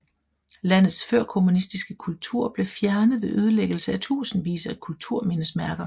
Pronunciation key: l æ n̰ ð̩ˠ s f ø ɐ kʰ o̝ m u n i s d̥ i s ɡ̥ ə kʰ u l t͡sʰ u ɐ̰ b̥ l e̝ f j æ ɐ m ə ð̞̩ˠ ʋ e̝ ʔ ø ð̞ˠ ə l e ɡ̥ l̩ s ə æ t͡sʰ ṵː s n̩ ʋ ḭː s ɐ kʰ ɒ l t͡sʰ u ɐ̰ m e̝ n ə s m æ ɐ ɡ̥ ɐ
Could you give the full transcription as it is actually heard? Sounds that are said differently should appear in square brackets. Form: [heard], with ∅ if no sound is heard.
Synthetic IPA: l æ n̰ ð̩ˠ s f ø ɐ kʰ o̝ m u n i s d̥ i s ɡ̥ ə kʰ u l t͡sʰ u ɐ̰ b̥ l e̝ f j æ ɐ [n] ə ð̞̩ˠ ʋ e̝ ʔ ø ð̞ˠ ə l e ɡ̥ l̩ s ə æ t͡sʰ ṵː s n̩ ʋ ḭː s ɐ kʰ [u] l t͡sʰ u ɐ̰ m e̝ n ə s m æ ɐ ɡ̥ ɐ